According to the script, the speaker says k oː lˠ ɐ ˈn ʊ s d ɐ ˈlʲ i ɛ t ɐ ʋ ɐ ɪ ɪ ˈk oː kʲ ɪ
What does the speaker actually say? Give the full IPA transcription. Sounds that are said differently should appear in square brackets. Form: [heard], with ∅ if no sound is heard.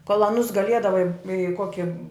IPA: k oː lˠ ɐ ˈn ʊ s [ɡ] ɐ ˈlʲ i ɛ [d] ɐ ʋ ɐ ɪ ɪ ˈk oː kʲ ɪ